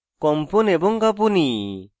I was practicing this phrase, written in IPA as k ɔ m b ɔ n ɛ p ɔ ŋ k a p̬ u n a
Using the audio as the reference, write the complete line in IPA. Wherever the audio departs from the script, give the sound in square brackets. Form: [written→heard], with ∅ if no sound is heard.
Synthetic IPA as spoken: k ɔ m [b→p] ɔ n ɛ [p→b] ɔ ŋ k a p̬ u n [a→i]